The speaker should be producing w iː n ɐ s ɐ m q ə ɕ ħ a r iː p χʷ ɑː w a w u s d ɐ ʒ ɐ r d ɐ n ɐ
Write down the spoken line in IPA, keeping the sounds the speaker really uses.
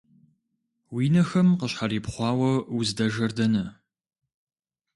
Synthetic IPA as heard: w iː n ɐ x ɐ m q ə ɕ ħ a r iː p χʷ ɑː w ɐ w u z d ɐ ʒ ɐ r d ɐ n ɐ